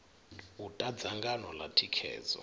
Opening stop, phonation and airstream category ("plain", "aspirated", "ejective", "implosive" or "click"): ejective